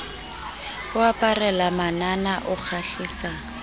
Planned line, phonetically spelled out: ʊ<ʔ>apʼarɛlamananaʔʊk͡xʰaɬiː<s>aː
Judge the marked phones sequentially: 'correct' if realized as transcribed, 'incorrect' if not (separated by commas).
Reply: incorrect, correct